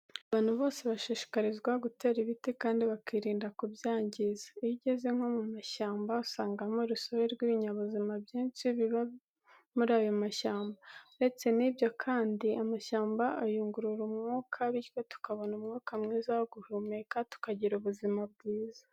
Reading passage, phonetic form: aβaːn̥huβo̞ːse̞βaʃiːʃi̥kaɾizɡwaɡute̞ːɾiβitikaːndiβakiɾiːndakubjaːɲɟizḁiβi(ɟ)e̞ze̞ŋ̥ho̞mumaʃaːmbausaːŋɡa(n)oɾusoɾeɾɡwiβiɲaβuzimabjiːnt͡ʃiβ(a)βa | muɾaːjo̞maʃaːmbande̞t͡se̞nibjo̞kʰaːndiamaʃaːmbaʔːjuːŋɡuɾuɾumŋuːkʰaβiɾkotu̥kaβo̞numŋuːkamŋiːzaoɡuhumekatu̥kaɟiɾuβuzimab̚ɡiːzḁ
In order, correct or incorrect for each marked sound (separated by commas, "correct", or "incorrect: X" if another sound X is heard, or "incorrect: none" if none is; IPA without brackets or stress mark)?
correct, incorrect: m, incorrect: i